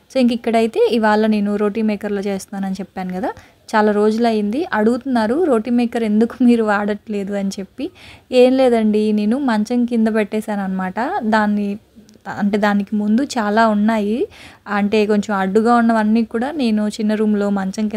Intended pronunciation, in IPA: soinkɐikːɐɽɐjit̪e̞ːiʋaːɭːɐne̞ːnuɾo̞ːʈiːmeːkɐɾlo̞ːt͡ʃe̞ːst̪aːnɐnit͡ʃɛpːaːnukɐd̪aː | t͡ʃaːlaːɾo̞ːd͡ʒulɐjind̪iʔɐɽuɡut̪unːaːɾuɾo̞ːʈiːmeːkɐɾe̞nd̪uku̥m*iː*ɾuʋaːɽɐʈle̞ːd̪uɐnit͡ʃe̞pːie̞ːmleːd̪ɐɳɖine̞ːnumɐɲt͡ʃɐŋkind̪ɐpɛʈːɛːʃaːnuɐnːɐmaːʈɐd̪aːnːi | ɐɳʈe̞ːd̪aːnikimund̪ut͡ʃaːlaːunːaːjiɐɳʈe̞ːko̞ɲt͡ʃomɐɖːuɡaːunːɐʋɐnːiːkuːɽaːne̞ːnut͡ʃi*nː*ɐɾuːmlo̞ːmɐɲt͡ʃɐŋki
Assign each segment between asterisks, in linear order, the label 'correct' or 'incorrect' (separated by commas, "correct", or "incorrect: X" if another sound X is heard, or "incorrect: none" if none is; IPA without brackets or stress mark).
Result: correct, correct